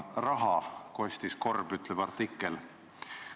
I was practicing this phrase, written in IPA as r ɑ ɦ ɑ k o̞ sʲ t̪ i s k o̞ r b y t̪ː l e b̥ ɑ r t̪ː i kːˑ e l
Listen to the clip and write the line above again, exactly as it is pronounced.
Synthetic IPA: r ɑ ɦ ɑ k o̞ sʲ t̪ i s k o̞ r b y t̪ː l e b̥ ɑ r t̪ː i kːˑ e l